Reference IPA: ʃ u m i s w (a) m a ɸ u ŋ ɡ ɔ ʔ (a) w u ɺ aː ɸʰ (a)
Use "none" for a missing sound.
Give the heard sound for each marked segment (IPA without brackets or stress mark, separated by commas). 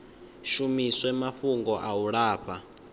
ɛ, a, a